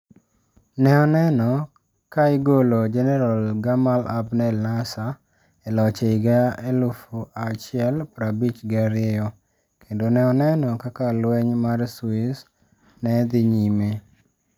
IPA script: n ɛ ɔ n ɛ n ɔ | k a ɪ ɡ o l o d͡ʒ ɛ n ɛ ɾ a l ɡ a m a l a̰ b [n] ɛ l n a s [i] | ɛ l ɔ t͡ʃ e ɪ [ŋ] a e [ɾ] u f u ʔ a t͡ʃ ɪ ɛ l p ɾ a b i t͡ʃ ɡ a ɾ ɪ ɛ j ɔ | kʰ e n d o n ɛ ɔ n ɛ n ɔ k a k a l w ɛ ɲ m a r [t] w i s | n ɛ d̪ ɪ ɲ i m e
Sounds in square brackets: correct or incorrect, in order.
correct, incorrect: a, incorrect: ɡ, incorrect: l, incorrect: s

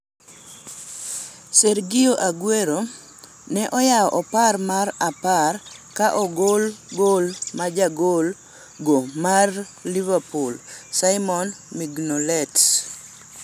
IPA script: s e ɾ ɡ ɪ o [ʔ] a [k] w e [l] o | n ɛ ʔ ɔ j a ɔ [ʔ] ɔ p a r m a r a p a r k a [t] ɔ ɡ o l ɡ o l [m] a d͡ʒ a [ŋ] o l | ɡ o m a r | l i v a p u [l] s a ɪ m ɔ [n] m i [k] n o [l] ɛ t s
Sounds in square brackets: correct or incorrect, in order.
correct, incorrect: ɡ, incorrect: ɾ, correct, incorrect: ʔ, correct, incorrect: ɡ, correct, correct, incorrect: ɡ, correct

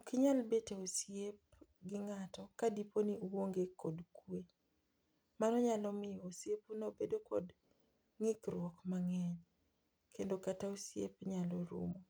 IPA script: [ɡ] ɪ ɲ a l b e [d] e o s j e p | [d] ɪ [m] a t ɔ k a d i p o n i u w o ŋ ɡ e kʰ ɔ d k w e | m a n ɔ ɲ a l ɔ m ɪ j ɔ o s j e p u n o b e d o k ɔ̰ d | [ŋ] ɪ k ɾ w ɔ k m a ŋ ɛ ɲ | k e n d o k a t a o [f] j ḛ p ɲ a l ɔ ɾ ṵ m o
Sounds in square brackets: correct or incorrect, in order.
incorrect: k, incorrect: t, incorrect: ɡ, incorrect: ŋ, correct, incorrect: s

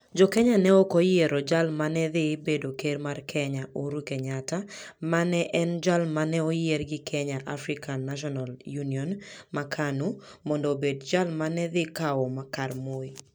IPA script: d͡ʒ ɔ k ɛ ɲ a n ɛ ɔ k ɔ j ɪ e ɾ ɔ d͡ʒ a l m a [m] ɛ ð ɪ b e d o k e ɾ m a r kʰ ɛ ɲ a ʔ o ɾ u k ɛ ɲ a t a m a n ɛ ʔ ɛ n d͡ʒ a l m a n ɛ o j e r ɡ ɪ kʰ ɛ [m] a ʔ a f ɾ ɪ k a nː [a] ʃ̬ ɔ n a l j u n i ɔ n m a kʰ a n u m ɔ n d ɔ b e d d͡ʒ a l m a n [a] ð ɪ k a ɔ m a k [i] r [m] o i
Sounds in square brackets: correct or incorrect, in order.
incorrect: n, incorrect: ɲ, correct, incorrect: ɛ, incorrect: a, correct

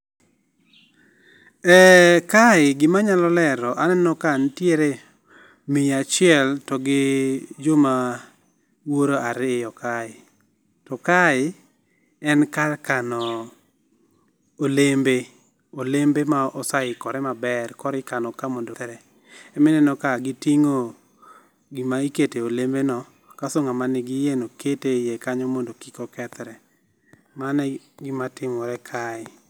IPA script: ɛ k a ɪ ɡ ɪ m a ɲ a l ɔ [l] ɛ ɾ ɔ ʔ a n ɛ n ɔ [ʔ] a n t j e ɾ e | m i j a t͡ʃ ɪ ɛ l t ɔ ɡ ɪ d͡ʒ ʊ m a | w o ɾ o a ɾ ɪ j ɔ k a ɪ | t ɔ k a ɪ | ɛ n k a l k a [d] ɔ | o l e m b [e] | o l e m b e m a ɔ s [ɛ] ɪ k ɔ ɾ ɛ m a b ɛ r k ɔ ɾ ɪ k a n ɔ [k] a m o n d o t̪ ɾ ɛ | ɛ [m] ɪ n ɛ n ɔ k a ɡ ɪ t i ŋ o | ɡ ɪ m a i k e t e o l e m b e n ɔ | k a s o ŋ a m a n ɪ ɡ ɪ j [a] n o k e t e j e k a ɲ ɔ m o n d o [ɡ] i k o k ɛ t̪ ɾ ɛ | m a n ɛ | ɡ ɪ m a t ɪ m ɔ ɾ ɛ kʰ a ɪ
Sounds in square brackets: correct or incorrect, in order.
correct, incorrect: k, incorrect: n, correct, incorrect: a, correct, correct, incorrect: e, incorrect: k

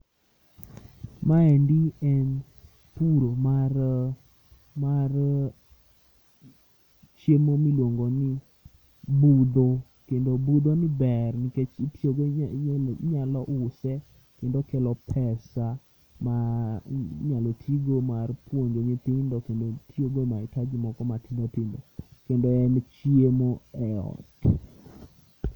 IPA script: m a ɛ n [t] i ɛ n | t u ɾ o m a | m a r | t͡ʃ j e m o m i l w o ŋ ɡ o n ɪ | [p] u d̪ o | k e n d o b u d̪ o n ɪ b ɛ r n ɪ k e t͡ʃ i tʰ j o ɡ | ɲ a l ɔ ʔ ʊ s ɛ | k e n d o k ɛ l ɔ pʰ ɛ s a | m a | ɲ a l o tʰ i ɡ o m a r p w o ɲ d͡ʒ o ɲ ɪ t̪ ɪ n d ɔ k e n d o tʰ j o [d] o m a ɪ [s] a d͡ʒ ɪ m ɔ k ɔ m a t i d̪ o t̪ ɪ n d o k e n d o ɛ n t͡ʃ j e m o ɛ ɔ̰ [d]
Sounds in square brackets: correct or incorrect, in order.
incorrect: d, incorrect: b, incorrect: ɡ, incorrect: t, incorrect: t

